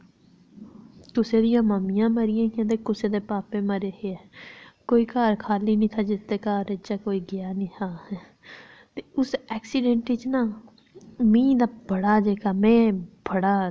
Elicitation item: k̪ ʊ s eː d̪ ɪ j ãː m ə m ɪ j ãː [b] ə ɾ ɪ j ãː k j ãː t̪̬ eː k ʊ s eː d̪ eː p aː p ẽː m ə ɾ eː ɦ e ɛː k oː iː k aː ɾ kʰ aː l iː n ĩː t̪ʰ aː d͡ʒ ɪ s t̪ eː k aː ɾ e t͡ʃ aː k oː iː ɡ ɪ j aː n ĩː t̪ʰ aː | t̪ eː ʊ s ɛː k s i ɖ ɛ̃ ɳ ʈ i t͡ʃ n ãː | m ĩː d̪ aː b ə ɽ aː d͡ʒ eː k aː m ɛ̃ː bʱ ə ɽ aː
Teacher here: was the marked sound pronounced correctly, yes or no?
no